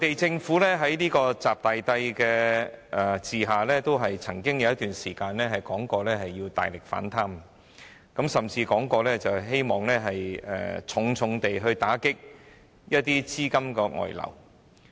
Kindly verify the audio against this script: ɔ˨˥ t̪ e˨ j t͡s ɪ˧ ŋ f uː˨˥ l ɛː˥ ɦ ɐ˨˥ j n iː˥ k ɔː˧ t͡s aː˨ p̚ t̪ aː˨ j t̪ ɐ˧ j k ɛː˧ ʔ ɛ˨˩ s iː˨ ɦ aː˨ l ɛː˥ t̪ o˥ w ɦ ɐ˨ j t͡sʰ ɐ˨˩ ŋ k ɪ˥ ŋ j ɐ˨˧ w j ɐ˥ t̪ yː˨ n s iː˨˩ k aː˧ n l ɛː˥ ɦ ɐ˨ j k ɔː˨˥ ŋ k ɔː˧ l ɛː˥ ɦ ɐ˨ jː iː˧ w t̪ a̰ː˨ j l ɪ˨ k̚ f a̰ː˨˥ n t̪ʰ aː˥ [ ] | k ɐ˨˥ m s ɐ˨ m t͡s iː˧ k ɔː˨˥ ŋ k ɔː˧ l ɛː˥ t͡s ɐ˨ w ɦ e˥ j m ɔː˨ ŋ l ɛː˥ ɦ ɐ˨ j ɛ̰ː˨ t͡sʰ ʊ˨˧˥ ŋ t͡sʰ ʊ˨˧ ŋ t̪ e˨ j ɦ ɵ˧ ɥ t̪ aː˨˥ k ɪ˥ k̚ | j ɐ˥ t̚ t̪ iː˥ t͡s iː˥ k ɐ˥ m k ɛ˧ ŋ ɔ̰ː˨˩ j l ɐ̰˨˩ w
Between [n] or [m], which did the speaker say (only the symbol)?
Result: m